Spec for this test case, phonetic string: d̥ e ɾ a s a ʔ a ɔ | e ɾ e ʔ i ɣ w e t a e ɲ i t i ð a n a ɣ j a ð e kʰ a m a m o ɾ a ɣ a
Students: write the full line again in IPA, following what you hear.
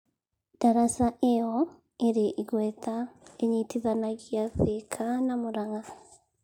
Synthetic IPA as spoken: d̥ a ɾ a s a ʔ e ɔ | e ɾ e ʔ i ɣ w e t a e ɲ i t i ð a n a ɣ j a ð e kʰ a n a m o ɾ a ɣ a